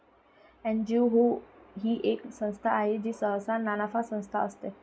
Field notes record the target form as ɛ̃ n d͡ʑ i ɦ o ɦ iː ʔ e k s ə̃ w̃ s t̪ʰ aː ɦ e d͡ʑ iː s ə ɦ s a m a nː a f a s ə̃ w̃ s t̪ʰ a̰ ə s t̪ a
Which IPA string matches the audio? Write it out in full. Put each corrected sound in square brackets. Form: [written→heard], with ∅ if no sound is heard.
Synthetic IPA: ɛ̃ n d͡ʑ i ɦ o ɦ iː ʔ e k s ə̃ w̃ s t̪ʰ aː ɦ e d͡ʑ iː s ə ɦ s a [m→n] a [nː→n] a f a s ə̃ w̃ s t̪ʰ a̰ ə s t̪ [a→e]